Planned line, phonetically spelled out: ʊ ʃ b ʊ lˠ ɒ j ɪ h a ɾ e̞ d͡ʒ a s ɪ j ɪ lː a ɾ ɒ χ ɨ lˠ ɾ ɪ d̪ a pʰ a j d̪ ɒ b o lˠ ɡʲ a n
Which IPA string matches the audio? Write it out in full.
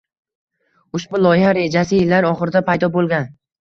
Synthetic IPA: ʊ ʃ b ʊ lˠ ɒ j ɪ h a ɾ e̞ d͡ʒ a s ɪ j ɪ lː a ɾ ɒ χ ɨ ɾ ɪ d̪ a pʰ a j d̪ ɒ b o lˠ ɡʲ a n